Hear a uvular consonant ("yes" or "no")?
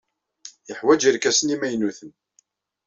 no